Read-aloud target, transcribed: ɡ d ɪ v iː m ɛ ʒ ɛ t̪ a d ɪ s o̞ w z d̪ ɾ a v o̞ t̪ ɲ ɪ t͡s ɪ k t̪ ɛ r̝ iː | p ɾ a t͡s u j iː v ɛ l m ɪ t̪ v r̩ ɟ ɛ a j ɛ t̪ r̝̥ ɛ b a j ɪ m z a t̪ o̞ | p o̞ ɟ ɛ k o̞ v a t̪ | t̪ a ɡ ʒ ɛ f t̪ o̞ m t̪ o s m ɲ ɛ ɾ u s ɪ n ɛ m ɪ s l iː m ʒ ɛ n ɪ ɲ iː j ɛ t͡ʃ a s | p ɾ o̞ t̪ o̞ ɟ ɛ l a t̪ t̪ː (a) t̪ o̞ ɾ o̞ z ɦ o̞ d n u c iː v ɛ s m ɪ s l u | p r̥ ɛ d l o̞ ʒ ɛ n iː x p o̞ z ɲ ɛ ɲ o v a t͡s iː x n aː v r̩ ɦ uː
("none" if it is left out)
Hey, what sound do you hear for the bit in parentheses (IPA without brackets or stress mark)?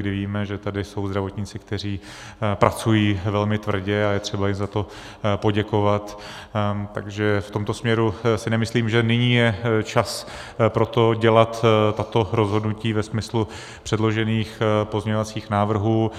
a